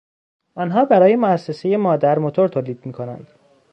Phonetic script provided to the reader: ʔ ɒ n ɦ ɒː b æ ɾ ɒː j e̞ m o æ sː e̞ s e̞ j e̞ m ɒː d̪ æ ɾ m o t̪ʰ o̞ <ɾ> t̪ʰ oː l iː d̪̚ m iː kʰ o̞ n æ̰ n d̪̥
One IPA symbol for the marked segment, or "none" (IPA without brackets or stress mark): ɾ